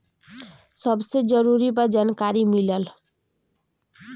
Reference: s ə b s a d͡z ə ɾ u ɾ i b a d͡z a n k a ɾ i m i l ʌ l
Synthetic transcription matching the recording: s ʌ b s e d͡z ʌ ɾ u ɾ i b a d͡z a n k a ɾ i m i l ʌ l